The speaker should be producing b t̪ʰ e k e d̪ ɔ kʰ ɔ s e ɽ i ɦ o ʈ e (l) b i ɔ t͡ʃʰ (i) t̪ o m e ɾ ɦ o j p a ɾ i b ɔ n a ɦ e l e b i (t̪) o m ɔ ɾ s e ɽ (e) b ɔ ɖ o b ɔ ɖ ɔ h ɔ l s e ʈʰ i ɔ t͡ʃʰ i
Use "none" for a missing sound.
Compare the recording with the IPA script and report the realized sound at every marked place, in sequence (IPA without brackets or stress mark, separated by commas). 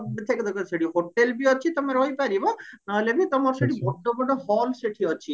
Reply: l, i, t̪, i